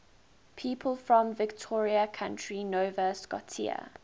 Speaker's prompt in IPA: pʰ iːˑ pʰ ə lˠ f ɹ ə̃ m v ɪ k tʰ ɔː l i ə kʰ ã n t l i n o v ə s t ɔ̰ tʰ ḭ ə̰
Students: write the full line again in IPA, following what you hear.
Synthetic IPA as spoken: pʰ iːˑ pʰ ə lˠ f ɹ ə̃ m v ɪ k tʰ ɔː ɹ i ə kʰ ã n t ɹ i n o v ə s k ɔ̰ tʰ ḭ ə̰